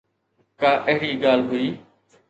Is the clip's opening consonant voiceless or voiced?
voiceless